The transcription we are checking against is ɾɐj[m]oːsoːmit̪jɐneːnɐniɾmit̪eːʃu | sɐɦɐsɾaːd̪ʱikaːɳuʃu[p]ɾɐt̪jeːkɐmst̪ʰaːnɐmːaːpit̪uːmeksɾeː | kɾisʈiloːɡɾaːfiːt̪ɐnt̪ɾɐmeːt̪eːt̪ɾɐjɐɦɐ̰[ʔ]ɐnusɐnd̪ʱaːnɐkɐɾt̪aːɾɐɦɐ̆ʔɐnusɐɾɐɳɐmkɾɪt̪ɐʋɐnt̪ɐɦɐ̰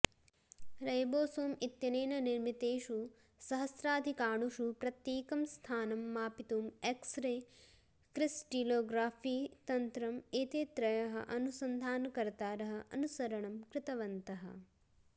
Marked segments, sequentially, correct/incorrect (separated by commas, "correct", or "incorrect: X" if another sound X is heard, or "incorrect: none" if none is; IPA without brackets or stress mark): incorrect: b, correct, correct